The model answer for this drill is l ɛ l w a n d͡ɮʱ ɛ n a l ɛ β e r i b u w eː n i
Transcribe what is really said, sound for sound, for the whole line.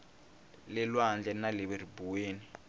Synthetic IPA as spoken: l ɛ l w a n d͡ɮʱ ɛ n a l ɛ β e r i b u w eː n i